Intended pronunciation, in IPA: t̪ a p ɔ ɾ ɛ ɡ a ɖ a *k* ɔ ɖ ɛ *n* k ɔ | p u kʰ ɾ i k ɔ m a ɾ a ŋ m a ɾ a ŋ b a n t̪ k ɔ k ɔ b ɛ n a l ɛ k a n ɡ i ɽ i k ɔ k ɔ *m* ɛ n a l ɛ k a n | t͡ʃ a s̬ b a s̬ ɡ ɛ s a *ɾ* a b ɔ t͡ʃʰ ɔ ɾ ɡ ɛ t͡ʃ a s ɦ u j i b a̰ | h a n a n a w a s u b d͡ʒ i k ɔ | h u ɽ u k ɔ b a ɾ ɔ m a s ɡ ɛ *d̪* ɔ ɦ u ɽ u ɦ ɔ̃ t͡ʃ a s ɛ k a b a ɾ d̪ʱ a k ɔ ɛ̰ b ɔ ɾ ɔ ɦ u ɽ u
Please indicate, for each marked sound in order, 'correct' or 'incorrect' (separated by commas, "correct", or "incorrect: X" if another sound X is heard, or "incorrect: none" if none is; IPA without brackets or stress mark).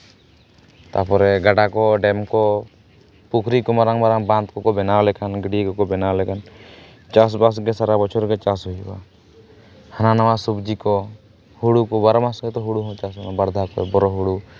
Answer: correct, incorrect: m, incorrect: b, correct, incorrect: t̪